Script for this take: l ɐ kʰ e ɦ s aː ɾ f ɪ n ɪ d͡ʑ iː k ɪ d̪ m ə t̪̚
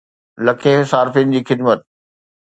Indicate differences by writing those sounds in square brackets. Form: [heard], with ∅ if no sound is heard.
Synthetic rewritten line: l ɐ kʰ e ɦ s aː ɾ f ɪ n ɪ d͡ʑ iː [x] ɪ d̪ m ə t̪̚